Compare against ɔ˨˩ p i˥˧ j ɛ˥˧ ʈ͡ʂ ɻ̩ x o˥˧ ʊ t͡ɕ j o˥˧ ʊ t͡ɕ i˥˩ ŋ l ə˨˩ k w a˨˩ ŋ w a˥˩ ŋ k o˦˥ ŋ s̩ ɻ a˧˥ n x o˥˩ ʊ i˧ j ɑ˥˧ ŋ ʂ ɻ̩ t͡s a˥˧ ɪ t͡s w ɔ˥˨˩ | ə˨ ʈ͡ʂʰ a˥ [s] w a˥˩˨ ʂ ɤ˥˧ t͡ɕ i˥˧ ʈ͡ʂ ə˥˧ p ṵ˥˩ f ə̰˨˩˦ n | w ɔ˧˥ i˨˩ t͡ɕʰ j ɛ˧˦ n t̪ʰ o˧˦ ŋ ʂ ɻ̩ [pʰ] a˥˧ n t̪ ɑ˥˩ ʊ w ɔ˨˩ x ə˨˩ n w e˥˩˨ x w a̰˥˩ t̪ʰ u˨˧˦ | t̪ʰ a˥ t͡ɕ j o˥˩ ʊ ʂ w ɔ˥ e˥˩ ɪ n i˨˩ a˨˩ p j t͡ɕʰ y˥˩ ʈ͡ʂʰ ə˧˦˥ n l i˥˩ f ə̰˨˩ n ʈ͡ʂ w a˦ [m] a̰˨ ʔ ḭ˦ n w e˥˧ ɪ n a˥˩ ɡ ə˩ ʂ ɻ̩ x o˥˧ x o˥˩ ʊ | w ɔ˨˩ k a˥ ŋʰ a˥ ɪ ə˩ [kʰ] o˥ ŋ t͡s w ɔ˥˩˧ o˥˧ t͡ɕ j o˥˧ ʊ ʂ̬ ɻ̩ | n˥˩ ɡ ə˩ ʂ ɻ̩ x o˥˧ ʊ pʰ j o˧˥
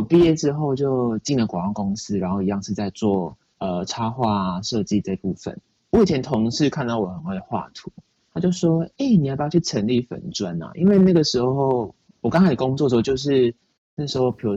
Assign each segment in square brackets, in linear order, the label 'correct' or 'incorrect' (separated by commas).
incorrect, incorrect, incorrect, incorrect